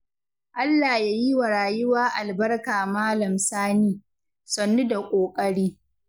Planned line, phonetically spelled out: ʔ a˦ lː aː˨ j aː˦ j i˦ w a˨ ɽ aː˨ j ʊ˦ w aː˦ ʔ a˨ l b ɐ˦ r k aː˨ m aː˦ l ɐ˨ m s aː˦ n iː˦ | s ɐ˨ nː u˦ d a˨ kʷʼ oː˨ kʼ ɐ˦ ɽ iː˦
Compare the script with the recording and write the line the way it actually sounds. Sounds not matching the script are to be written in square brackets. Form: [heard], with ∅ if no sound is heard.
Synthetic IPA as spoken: ʔ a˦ lː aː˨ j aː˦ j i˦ w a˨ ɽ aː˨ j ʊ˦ w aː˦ ʔ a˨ l b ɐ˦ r k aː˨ m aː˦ l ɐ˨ m s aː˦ n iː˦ | s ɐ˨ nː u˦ d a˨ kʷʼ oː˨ kʼ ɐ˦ ɽ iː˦

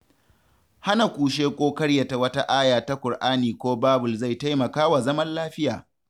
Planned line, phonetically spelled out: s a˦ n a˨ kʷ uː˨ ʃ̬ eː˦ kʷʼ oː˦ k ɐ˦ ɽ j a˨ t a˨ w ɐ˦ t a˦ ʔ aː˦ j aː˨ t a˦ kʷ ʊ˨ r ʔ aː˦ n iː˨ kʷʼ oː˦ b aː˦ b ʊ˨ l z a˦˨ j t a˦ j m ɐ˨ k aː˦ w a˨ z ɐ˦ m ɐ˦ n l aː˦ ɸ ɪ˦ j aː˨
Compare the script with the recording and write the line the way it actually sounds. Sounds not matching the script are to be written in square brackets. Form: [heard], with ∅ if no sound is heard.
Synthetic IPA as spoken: [h] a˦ n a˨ kʷ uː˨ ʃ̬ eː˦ kʷʼ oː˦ k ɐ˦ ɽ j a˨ t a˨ w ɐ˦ t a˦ ʔ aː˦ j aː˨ t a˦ kʷ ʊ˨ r ʔ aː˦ n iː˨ [kʷ] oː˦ b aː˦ b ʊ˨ l z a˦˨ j t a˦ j m ɐ˨ k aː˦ w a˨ z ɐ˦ m ɐ˦ n l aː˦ ɸ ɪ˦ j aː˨

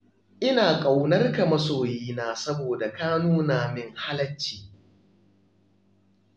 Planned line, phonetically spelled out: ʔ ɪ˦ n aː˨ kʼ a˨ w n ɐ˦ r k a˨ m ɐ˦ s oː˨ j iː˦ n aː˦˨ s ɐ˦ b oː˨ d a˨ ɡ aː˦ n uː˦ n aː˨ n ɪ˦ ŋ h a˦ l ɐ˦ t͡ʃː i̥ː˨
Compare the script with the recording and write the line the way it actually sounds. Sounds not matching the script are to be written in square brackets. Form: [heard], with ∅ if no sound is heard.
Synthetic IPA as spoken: ʔ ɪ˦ n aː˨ kʼ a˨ w n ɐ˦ r k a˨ m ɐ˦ s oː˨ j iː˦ n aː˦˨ s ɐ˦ b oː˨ d a˨ [k] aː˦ n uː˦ n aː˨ [m] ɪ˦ ŋ h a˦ l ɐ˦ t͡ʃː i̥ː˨

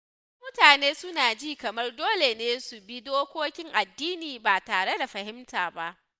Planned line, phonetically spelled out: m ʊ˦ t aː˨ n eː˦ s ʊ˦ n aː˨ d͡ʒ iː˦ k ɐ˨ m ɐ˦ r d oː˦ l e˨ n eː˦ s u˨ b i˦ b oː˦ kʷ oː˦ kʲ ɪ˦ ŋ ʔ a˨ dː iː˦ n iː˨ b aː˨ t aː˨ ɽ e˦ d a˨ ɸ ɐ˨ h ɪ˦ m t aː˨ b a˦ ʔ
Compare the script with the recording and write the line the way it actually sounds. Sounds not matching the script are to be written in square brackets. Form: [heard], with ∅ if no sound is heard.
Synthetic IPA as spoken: m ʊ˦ t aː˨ n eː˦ s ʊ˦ n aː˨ d͡ʒ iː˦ k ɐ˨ m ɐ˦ r d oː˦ l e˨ n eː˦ s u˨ b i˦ [d] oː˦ kʷ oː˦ kʲ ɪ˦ ŋ ʔ a˨ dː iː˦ n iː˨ b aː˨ t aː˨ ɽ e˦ d a˨ ɸ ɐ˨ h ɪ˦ m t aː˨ b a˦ ʔ

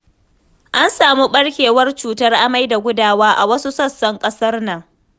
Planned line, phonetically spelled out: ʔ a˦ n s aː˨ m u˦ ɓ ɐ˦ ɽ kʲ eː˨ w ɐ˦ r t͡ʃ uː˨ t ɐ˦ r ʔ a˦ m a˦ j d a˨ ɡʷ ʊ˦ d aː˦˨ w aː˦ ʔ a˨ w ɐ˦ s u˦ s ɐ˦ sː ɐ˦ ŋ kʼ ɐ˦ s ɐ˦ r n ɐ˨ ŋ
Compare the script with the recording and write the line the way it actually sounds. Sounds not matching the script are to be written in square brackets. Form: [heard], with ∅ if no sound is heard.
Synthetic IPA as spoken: ʔ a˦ n s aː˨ m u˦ ɓ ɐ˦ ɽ kʲ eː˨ w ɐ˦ r t͡ʃ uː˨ t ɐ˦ r ʔ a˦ m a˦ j d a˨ ɡʷ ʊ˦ d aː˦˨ w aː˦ ʔ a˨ w ɐ˦ s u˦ s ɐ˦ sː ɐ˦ ŋ kʼ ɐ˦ s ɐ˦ r n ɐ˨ ŋ

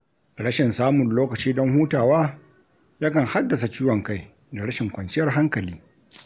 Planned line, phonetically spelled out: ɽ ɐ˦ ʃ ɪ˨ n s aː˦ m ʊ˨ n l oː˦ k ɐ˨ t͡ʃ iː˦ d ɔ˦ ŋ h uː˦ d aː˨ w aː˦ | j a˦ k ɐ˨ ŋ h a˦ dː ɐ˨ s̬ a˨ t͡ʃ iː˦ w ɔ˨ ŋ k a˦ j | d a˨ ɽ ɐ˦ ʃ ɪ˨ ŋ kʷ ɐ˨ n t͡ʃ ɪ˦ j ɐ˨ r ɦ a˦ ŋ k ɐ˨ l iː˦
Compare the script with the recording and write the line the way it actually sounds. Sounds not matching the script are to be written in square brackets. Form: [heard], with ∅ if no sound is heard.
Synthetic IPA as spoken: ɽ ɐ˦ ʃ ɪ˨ n s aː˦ m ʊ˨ n l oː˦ k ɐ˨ t͡ʃ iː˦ d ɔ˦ ŋ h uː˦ [t] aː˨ w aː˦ | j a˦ k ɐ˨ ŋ h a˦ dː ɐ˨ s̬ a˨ t͡ʃ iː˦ w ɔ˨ ŋ k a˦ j | d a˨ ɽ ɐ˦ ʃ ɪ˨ ŋ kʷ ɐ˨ n t͡ʃ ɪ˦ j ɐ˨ r ɦ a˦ ŋ k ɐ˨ l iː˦

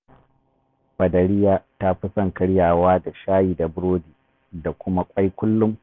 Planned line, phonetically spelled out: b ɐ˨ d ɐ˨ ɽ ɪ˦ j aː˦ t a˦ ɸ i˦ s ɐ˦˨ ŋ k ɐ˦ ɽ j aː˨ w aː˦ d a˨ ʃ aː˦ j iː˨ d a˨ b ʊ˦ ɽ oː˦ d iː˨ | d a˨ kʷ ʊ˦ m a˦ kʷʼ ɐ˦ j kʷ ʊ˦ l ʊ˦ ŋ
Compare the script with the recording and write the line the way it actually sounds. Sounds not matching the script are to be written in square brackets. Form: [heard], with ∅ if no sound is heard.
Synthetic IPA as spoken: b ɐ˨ d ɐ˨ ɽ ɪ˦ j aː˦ t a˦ ɸ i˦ s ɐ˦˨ ŋ k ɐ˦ ɽ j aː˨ w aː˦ d a˨ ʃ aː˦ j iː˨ d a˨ b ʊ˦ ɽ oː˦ d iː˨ | d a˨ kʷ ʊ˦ m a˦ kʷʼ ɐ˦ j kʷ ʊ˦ [lː] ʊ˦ [m]

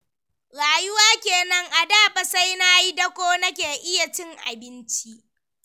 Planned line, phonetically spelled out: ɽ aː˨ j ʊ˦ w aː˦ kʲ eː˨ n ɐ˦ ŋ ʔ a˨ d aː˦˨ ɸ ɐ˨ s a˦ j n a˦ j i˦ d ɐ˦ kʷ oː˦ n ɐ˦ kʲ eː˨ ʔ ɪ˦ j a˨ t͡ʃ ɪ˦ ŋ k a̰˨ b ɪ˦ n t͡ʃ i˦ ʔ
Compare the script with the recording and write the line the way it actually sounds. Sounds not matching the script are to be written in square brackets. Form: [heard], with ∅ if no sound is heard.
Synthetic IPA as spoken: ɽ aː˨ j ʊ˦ w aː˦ kʲ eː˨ n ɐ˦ ŋ ʔ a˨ d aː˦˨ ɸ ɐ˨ s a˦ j n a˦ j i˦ d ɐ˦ kʷ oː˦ n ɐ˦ kʲ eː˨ ʔ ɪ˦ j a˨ t͡ʃ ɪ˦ ŋ [ʔ] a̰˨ b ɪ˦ n t͡ʃ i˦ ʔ

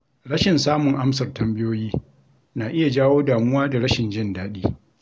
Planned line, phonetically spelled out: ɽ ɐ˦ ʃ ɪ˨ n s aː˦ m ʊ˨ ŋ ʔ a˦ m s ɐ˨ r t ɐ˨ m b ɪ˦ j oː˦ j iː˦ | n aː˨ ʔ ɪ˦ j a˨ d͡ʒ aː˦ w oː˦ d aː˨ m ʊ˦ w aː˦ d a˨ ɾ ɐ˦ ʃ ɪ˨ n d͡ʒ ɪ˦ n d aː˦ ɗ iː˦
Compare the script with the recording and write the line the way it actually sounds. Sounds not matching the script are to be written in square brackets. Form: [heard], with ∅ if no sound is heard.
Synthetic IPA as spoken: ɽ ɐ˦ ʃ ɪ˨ n s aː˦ m ʊ˨ ŋ ʔ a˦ m s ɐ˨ r t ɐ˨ m b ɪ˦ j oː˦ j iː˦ | n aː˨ ʔ ɪ˦ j a˨ d͡ʒ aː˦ w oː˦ d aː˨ m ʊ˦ w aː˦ d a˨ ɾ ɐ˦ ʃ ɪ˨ n d͡ʒ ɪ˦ n d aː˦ ɗ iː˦

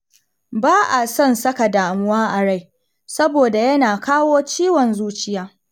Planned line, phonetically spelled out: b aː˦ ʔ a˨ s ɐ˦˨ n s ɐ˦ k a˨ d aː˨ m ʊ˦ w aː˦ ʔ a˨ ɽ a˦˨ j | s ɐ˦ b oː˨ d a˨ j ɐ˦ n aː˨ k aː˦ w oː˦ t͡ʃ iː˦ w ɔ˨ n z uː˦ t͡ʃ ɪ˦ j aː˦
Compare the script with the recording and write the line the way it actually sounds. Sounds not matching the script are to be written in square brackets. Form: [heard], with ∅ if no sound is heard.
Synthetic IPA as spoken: b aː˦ ʔ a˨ s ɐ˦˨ n s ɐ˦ k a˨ d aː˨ m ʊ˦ w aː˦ ʔ a˨ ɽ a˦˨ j | s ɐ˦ b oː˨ d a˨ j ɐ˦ n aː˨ k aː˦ w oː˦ t͡ʃ iː˦ w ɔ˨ n z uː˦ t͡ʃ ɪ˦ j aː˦

